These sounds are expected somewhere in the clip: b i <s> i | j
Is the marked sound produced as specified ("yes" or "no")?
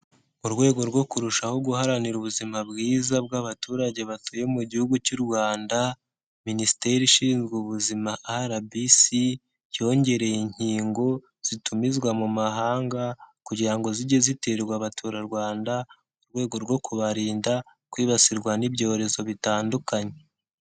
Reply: yes